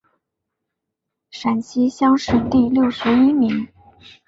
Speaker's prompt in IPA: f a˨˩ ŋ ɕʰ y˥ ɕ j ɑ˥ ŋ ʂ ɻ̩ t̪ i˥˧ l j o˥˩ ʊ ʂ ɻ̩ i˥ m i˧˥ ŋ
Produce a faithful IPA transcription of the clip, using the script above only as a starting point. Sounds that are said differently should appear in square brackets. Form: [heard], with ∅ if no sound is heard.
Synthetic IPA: [ʂ] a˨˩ [n] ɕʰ [i˥] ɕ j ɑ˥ ŋ ʂ ɻ̩ t̪ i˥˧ l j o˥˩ ʊ ʂ ɻ̩ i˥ m i˧˥ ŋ